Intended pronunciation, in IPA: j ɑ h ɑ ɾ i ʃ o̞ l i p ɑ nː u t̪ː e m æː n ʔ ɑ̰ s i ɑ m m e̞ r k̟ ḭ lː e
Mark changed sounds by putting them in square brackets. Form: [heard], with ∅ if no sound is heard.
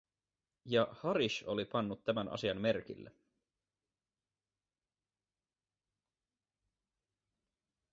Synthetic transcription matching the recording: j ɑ h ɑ ɾ i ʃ o̞ l i p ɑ nː u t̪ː [æ] m [æ] n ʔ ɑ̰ s i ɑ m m e̞ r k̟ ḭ lː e